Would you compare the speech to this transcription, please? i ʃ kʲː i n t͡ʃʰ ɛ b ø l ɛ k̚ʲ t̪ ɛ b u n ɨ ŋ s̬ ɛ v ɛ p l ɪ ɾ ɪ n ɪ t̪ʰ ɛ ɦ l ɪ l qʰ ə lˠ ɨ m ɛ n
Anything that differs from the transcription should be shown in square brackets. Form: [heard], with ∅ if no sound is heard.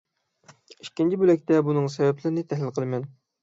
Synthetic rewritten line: i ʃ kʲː i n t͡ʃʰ [i] b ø l ɛ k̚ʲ t̪ ɛ b u n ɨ ŋ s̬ ɛ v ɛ p l ɪ ɾ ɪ n ɪ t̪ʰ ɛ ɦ l ɪ l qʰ ə lˠ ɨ m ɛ n